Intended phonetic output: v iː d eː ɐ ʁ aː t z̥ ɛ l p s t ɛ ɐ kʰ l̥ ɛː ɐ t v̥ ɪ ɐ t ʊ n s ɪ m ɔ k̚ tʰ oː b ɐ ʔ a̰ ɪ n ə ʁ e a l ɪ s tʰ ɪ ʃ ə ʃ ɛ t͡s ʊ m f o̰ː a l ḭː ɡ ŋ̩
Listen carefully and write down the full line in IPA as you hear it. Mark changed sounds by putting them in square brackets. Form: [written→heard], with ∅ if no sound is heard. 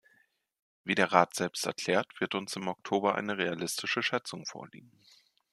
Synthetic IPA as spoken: v iː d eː ɐ ʁ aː t z̥ ɛ l p s t ɛ ɐ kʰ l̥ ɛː ɐ t v̥ ɪ ɐ t ʊ n s ɪ m ɔ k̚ tʰ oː b ɐ ʔ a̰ ɪ n ə ʁ e a l ɪ s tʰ ɪ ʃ ə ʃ ɛ t͡s ʊ [m→ŋ] f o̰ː [a→ɐ] l ḭː ɡ ŋ̩